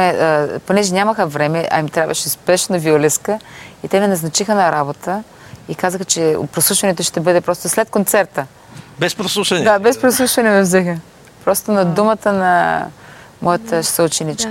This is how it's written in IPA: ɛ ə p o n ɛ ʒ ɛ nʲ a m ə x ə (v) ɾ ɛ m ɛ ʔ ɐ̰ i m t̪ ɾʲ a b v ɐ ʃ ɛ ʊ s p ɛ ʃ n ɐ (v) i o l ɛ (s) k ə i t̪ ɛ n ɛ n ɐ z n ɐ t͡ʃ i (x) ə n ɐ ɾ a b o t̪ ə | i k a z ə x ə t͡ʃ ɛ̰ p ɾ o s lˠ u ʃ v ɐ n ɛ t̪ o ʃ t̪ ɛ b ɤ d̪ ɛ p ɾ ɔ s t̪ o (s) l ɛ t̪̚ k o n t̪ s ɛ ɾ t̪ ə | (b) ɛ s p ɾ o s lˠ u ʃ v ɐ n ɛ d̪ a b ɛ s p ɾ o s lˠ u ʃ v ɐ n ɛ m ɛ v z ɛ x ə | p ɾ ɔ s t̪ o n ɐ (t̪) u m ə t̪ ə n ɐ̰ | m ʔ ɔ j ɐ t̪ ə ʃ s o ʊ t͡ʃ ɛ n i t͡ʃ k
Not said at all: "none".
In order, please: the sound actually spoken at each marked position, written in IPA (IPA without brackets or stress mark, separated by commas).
v, v, s, x, s, b, d̪